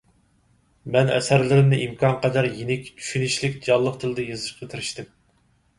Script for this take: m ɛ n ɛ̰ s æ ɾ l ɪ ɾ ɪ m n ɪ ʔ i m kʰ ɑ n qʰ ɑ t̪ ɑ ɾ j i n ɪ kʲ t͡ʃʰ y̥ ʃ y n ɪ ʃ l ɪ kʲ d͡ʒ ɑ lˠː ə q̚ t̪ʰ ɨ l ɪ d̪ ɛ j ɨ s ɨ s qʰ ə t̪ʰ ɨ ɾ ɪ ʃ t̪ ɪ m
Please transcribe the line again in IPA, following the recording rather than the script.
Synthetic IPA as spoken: m ɛ n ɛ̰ s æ ɾ l ɪ ɾ ɪ m n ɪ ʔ i m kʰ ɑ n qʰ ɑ d̪ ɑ ɾ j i n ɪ kʲ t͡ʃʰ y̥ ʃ y n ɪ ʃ l ɪ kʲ d͡ʒ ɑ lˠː ə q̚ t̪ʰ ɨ l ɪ d̪ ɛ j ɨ z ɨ ʃ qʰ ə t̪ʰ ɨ ɾ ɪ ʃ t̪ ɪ m